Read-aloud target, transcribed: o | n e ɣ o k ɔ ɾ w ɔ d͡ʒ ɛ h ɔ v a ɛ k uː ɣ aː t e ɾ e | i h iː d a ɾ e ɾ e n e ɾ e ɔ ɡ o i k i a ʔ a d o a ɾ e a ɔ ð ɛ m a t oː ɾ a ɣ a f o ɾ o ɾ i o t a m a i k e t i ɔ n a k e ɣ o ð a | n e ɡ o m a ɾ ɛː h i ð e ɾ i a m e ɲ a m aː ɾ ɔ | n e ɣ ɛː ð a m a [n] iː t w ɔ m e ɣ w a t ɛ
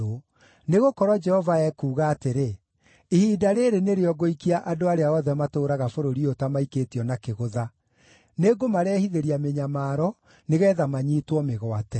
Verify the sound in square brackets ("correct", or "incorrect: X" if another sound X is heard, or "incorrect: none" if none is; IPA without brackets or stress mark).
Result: incorrect: ɲ